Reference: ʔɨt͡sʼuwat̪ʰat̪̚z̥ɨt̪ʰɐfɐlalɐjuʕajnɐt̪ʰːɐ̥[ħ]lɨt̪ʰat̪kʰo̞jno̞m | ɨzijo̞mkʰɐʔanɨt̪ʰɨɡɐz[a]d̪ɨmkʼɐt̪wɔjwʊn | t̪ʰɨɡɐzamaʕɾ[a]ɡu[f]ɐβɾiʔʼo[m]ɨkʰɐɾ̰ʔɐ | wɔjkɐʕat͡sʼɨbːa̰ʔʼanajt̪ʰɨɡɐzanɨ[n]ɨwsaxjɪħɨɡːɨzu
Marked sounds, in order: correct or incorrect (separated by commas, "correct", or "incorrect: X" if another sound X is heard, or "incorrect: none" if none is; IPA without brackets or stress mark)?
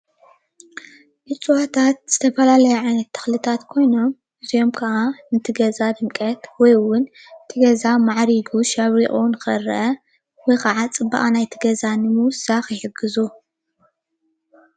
incorrect: x, correct, incorrect: i, incorrect: ʃ, incorrect: n, incorrect: m